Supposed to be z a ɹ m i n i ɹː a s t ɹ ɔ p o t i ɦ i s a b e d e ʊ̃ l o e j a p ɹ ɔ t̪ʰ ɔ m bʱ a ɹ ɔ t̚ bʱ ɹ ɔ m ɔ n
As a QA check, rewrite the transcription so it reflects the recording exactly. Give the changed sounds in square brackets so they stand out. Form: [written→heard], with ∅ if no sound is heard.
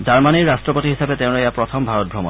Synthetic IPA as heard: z a ɹ m [i→a] n i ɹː a s t ɹ ɔ p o t i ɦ i s a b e [d→t] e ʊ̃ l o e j a p ɹ ɔ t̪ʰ ɔ m bʱ a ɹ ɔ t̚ bʱ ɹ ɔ m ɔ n